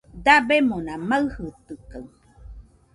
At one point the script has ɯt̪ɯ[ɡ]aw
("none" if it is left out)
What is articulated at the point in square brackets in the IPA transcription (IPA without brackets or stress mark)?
k